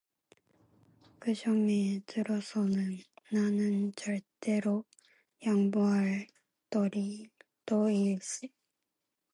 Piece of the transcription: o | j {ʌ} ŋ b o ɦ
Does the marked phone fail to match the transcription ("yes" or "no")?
yes